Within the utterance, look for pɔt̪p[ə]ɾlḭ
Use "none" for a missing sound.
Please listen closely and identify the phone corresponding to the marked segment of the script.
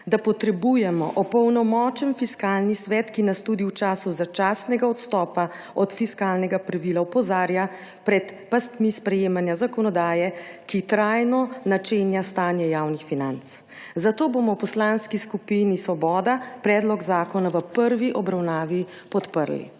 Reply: ə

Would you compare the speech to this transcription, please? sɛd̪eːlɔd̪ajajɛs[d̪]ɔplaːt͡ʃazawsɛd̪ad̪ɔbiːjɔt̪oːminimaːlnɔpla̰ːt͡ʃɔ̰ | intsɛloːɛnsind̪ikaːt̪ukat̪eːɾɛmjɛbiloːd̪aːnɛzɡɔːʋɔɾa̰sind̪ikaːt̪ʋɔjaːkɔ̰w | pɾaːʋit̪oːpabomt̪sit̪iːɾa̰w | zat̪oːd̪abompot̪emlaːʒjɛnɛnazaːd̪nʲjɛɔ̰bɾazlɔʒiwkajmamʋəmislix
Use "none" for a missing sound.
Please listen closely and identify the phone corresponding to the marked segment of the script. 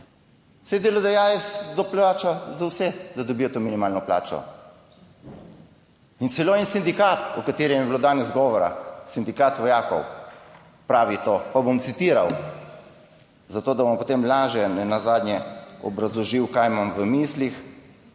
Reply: d̪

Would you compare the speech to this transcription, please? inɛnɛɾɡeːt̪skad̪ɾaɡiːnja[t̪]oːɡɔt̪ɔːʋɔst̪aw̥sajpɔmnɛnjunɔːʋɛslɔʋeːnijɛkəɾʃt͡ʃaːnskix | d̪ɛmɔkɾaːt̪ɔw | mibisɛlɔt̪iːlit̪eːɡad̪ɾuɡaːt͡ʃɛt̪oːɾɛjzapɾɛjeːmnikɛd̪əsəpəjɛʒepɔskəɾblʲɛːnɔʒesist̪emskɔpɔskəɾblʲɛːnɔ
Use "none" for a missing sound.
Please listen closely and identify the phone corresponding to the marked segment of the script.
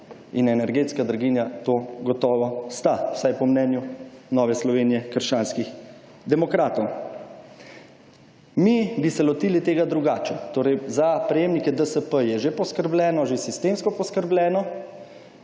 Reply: t̪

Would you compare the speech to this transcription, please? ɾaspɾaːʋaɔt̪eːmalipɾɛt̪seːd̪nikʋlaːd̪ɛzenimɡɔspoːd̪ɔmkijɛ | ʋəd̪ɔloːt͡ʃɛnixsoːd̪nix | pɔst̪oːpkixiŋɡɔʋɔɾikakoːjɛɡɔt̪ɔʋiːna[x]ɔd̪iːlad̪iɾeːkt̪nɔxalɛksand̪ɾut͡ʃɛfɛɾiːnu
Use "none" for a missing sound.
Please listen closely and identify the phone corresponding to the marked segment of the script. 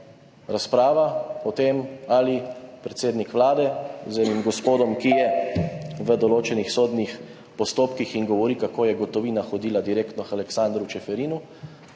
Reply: x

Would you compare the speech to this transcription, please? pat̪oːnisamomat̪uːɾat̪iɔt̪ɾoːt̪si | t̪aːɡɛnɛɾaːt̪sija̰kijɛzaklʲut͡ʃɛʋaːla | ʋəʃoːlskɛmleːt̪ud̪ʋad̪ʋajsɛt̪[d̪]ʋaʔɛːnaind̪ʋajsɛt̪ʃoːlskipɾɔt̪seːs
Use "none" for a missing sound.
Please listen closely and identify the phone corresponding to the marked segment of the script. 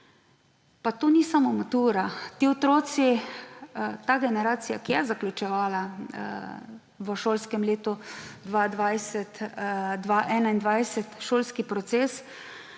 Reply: d̪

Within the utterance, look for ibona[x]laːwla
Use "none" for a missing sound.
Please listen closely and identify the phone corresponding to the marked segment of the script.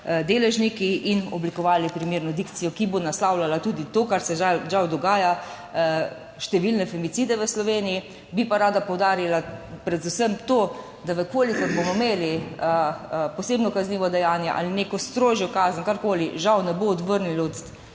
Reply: s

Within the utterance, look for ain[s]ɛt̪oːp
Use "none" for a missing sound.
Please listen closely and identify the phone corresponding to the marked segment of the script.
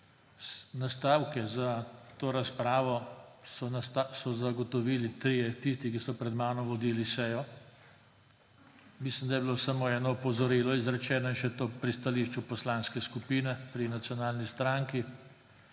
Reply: ʃ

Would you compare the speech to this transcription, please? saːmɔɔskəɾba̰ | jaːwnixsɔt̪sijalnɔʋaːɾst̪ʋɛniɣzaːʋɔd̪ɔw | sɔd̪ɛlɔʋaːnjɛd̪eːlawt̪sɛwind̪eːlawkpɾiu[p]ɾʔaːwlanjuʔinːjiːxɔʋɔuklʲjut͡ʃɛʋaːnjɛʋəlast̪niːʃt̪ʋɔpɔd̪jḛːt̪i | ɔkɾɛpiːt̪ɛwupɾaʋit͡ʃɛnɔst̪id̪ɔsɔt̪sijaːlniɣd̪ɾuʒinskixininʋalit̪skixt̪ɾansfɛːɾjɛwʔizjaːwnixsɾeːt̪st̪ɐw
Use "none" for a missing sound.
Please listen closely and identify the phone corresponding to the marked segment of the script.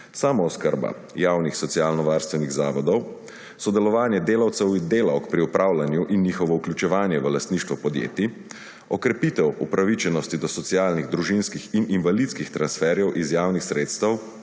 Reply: p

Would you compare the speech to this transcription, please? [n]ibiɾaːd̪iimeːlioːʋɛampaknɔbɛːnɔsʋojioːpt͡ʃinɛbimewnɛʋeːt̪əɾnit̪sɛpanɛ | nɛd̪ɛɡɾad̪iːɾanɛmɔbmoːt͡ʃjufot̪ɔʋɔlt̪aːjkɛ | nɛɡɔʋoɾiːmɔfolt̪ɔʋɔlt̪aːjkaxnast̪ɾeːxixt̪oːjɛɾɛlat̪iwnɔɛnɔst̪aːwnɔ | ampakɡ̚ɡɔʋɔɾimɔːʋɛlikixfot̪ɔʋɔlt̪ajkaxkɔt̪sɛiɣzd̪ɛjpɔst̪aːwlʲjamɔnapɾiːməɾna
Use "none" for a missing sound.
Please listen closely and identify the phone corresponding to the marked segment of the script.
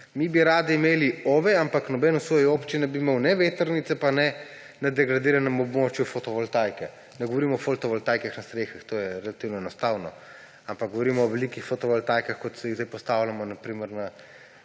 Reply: m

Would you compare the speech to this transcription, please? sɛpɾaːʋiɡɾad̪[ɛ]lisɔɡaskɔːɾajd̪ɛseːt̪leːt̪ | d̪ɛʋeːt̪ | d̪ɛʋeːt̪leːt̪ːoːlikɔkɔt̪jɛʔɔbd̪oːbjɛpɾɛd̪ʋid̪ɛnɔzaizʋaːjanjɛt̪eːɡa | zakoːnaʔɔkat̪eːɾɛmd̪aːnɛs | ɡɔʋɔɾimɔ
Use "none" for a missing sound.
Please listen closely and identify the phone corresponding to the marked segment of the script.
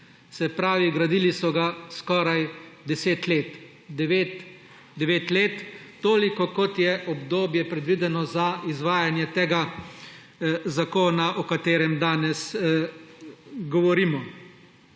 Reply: i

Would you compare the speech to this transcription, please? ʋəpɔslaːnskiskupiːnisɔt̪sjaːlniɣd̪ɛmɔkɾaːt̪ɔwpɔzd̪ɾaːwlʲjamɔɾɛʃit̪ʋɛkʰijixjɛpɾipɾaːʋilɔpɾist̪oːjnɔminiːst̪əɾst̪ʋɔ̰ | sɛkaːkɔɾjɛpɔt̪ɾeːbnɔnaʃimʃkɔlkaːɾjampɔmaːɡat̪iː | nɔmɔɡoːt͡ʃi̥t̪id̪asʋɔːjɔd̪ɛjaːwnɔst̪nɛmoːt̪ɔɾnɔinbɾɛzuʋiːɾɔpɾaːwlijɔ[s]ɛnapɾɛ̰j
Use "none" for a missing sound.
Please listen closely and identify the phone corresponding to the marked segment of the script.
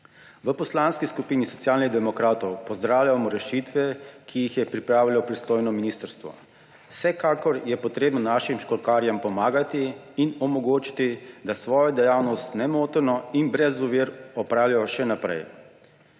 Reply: ʃ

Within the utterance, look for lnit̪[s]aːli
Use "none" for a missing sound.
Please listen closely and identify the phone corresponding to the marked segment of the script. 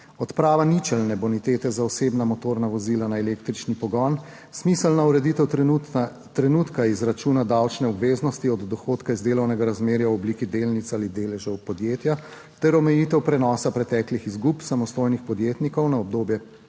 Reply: s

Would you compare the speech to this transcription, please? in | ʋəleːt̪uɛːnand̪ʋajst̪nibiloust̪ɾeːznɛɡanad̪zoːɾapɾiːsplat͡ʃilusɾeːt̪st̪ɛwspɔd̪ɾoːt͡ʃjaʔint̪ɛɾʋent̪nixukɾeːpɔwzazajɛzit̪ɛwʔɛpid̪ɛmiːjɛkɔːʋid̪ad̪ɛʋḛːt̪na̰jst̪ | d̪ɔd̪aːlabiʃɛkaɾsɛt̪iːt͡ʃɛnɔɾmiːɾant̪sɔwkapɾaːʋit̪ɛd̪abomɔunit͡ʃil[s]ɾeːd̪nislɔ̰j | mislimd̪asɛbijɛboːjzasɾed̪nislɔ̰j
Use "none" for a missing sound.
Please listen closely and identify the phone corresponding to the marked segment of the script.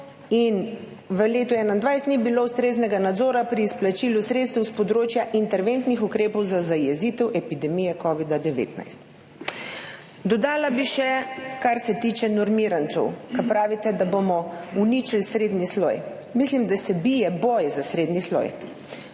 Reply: s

